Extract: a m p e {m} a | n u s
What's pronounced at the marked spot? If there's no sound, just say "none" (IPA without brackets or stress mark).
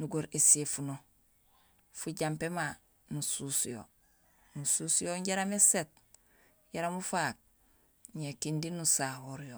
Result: m